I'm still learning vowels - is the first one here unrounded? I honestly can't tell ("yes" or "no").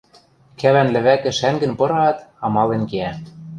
yes